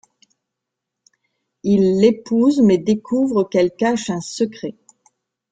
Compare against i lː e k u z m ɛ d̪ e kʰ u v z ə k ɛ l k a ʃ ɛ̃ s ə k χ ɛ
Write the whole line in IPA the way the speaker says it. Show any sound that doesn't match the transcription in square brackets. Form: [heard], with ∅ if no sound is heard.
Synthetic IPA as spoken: i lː e [p] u z m ɛ d̪ e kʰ u v [ʁ] ə k ɛ l k a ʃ ɛ̃ s ə k χ ɛ